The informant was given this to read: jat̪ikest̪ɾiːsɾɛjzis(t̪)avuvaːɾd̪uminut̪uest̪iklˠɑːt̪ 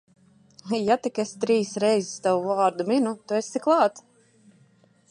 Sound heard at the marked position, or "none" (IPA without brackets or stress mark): t̪